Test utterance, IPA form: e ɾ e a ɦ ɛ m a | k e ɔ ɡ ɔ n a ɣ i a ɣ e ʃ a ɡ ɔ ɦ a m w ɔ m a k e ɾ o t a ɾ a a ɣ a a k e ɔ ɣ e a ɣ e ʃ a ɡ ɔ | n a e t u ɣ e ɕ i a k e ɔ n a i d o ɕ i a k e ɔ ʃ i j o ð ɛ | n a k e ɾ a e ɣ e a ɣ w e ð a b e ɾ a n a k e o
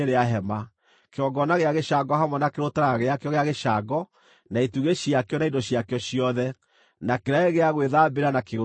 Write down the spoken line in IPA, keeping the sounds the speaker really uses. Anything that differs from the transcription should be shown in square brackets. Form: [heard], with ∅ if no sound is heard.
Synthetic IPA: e ɾ e a ɦ ɛ m a | k e ɔ ɡ ɔ n a ɣ [e] a ɣ e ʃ a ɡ ɔ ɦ a m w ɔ [n] a k e ɾ o t a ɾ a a ɣ [e] a k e ɔ ɣ e a ɣ e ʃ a ɡ ɔ | n a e t u ɣ e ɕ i a k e ɔ n a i d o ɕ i a k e ɔ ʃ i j [ɔ] ð ɛ | n a k e ɾ a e ɣ e a ɣ w e ð a b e ɾ a n a k e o